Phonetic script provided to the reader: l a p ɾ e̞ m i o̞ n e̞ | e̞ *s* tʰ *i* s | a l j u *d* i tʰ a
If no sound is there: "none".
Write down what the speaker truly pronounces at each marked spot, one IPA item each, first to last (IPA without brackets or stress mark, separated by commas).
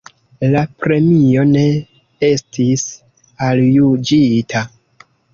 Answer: s, i, d͡ʒ